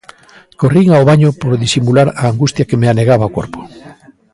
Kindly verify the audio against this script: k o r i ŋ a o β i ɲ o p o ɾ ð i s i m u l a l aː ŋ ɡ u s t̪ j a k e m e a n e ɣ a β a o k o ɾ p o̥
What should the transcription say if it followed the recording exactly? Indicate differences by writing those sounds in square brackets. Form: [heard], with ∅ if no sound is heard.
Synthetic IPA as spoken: k o r i ŋ a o β [a] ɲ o p o ɾ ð i s i m u l a [ɾ] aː ŋ ɡ u s t̪ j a k e m e a n e ɣ a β a o k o ɾ p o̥